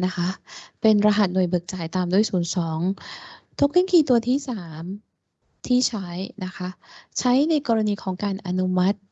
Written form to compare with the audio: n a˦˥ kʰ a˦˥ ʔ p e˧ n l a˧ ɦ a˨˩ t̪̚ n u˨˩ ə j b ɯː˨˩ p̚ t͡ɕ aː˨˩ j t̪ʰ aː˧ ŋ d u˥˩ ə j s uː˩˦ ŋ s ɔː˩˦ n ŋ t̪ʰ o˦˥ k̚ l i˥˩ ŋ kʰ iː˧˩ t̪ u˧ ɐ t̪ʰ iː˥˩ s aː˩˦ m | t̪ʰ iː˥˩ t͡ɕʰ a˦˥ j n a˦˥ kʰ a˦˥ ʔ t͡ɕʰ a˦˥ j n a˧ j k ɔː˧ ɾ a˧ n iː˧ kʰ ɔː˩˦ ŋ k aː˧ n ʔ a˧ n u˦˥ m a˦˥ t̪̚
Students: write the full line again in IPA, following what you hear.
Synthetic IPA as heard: n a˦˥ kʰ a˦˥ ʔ p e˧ n ɾ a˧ ɦ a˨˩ t̪̚ n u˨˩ ə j b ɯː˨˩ k̚ t͡ɕ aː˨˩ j t̪ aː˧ m d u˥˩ ə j s uː˩˦ n s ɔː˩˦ ŋ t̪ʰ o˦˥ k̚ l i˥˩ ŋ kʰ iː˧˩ t̪ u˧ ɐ t̪ʰ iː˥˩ s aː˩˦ m | t̪ʰ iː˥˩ t͡ɕʰ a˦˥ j n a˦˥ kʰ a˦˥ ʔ t͡ɕʰ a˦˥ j n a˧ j k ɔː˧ ɾ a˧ n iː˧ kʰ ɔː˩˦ ŋ k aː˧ n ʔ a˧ n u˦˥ m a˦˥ t̪̚